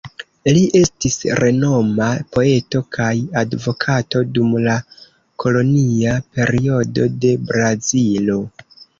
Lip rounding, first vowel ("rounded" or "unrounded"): unrounded